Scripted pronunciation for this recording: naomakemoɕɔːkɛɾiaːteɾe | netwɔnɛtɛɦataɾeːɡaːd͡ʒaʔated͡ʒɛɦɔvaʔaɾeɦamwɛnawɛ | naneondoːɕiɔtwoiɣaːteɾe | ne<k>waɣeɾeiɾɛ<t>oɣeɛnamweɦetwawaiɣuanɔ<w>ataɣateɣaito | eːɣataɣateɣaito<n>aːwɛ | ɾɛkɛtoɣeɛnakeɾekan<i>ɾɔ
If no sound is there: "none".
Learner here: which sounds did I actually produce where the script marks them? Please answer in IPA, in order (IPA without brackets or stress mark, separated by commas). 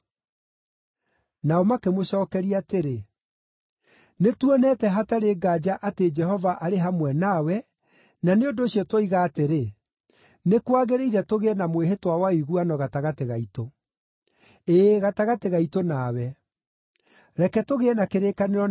k, t, ɣ, n, e